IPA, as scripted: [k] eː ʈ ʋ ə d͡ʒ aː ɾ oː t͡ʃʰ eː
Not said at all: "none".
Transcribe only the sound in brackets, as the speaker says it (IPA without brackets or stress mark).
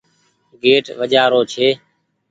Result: ɡ